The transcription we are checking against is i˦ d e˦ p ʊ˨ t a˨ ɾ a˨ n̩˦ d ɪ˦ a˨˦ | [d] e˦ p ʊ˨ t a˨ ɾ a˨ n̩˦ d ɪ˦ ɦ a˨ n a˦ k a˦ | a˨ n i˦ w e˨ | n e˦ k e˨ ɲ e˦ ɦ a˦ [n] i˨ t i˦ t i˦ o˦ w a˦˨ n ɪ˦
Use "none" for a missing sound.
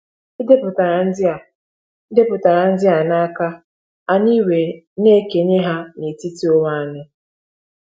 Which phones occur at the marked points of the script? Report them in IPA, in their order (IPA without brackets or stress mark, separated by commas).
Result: d, n